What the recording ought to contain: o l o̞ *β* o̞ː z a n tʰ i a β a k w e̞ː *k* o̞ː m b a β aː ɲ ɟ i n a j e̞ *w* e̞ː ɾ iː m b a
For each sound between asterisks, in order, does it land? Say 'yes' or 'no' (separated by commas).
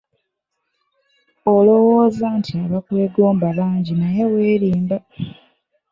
no, no, yes